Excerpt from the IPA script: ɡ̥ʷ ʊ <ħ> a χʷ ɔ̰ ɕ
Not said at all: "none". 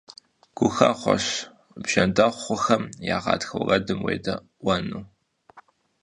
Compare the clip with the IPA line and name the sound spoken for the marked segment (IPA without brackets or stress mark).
x